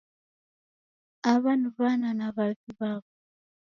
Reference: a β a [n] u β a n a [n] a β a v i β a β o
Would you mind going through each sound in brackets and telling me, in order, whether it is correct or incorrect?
correct, correct

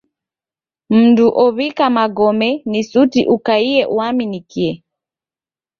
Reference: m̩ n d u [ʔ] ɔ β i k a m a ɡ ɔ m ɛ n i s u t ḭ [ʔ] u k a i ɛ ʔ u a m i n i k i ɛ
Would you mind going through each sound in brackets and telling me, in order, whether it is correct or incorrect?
correct, correct

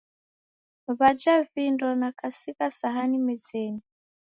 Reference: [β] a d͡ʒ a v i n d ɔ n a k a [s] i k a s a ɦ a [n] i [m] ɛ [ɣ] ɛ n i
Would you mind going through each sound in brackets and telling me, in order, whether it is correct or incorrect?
correct, correct, correct, correct, incorrect

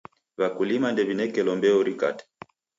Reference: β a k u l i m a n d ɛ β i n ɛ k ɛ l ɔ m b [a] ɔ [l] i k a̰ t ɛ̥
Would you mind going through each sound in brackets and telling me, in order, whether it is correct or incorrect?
incorrect, incorrect

